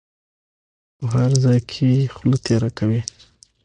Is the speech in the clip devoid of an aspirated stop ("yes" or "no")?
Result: no